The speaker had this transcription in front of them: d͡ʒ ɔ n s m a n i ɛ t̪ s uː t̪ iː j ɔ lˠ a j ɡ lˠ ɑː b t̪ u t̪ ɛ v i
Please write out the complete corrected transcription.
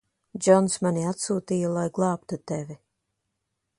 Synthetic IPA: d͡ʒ ɔ n s m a n i a t̪ s uː t̪ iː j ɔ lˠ a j ɡ lˠ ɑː p t̪ u t̪ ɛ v i